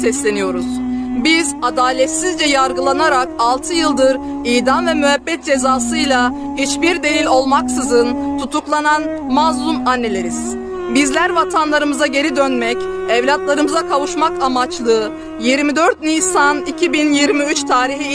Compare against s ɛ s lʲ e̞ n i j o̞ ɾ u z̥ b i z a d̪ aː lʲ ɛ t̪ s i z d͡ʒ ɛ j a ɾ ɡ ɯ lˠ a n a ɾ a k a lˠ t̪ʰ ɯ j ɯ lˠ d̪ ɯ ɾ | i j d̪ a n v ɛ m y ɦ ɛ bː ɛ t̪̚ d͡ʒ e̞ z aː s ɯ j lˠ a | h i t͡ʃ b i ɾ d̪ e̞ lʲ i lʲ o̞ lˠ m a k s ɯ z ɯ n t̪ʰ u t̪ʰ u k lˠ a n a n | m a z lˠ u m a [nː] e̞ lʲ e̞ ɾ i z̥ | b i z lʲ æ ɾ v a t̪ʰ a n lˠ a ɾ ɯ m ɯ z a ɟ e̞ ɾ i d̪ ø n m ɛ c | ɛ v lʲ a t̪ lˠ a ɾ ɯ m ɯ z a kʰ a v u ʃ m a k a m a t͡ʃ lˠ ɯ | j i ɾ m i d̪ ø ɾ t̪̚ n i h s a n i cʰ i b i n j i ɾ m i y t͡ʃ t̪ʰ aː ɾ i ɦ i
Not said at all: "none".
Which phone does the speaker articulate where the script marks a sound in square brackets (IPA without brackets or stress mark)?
nː